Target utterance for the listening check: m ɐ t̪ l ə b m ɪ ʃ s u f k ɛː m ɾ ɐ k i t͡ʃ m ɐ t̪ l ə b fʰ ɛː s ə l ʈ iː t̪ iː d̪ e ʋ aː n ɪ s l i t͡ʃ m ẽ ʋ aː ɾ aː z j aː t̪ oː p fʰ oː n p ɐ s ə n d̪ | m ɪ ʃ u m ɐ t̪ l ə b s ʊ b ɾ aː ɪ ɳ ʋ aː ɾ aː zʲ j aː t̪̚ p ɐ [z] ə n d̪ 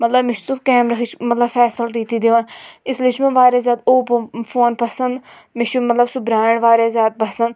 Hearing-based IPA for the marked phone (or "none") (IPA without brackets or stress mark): s